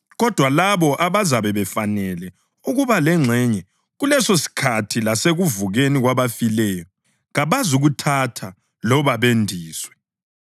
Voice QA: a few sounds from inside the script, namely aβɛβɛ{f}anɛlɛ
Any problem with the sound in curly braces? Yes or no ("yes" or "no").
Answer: no